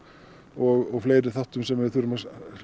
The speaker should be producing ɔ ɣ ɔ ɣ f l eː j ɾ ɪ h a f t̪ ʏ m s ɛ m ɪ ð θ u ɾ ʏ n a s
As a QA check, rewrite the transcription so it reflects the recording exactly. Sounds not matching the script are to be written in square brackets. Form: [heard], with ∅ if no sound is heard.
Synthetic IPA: ɔ ɣ ɔ ɣ f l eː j ɾ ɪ [θ] a [h] t̪ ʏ m s ɛ m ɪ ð θ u ɾ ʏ [m] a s

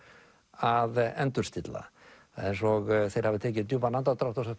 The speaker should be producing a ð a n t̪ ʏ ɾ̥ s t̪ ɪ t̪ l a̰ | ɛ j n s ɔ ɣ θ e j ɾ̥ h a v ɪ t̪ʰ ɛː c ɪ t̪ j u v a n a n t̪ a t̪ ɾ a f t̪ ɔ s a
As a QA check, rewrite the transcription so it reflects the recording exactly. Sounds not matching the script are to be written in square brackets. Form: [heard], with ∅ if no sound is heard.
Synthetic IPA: a ð [ɛ] n t̪ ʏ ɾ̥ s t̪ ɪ t̪ l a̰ | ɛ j n s ɔ ɣ θ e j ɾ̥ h a v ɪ t̪ʰ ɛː c ɪ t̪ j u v a n a n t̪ a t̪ ɾ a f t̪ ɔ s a

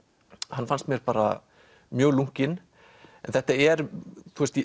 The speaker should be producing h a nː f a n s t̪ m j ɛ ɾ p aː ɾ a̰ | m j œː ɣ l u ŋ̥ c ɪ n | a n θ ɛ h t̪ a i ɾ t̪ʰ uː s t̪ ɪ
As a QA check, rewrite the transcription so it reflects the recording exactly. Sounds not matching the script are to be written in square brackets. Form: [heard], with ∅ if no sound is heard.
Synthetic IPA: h a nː f a n s t̪ m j ɛ ɾ p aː ɾ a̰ | m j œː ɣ l u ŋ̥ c ɪ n | [ɛ] n θ ɛ h t̪ a [ɛ] ɾ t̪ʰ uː s t̪ [i]

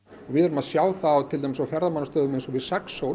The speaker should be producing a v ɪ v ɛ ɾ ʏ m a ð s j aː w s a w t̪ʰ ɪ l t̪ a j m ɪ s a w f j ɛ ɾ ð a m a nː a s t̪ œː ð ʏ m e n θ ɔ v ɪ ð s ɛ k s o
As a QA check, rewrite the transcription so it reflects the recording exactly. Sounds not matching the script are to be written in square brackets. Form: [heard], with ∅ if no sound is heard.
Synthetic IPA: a v ɪ [ð] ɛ ɾ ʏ m a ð s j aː w [θ] a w t̪ʰ ɪ l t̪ a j m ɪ s a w f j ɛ ɾ ð a m a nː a s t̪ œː ð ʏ m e n [s] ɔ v ɪ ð s ɛ k s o

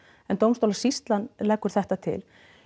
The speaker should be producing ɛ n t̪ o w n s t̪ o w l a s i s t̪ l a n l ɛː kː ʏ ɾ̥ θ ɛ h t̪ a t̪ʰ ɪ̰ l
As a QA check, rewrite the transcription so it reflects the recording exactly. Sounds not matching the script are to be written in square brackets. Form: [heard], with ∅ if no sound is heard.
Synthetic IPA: ɛ n t̪ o w [m] s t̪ o w l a s i s t̪ l a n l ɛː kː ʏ ɾ̥ θ ɛ h t̪ a t̪ʰ ɪ̰ l

